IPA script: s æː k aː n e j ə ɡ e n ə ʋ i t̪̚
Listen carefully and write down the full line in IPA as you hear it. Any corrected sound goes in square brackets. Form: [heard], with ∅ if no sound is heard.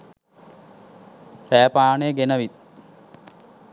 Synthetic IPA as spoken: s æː [p] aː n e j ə ɡ e n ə ʋ i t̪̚

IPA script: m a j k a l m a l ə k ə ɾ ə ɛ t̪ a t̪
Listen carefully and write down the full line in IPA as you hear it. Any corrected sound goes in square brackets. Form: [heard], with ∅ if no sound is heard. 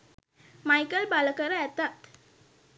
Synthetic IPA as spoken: m a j k [ə] l [b] a l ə k ə ɾ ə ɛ t̪ a t̪

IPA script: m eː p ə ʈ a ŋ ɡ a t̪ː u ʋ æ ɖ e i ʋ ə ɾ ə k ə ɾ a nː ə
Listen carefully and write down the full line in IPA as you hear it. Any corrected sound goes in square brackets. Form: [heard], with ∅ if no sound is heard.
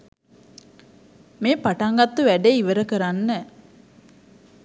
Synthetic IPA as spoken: m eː p [a] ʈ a ŋ ɡ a t̪ː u ʋ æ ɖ e i ʋ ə ɾ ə k ə ɾ a nː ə

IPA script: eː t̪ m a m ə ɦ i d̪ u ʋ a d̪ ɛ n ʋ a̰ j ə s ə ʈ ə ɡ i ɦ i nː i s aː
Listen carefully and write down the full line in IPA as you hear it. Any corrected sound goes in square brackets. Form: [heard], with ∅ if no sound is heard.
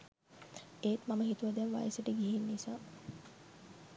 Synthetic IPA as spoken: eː t̪ m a m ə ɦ i [t̪] u ʋ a d̪ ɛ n ʋ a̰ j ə s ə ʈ ə ɡ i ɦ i nː i s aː

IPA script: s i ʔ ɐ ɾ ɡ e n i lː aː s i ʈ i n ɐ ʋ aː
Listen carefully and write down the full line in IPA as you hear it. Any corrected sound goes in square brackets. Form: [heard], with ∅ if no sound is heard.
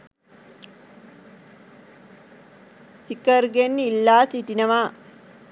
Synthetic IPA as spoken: s i [k] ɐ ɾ ɡ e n i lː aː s i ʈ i n ɐ ʋ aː

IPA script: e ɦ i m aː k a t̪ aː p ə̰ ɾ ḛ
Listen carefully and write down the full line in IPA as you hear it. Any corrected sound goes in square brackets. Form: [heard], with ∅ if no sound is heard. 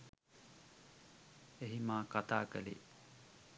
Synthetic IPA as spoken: e ɦ i m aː k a t̪ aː [k] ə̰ [l] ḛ

